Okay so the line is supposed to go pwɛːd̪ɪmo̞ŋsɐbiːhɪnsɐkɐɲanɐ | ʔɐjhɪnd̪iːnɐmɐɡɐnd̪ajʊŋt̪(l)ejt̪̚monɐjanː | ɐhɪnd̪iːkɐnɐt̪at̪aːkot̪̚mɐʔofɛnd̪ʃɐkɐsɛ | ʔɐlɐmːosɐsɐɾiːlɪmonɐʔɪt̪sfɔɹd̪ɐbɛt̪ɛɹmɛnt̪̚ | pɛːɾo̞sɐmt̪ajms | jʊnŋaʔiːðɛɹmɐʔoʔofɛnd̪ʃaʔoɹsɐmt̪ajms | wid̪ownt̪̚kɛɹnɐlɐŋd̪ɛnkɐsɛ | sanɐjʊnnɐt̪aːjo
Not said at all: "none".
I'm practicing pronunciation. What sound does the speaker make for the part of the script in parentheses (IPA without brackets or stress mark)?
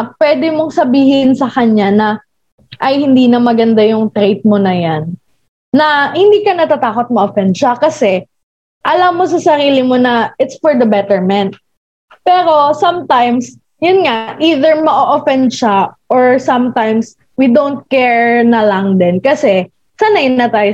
ɾ